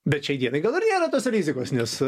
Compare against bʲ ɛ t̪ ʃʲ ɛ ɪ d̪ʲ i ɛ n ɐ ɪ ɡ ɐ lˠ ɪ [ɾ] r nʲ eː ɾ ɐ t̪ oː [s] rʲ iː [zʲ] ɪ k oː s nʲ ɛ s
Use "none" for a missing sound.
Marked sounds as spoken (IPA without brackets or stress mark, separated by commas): none, s, zʲ